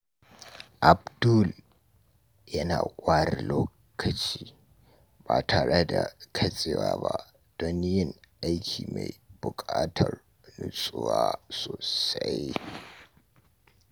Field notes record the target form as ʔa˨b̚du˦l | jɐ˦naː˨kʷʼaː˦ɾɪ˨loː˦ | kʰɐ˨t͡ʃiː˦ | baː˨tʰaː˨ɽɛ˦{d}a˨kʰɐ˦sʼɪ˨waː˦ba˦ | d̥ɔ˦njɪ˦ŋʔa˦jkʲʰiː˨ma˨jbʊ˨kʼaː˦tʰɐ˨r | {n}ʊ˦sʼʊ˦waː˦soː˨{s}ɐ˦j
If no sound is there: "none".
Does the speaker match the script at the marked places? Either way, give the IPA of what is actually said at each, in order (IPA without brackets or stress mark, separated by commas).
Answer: d, n, s